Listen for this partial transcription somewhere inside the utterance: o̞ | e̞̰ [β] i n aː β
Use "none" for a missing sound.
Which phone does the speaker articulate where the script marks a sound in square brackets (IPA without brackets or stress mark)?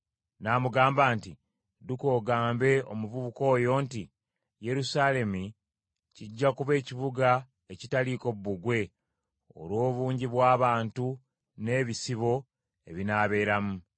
β